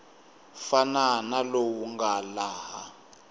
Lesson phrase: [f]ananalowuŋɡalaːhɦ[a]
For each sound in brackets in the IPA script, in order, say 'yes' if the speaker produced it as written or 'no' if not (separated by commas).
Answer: yes, yes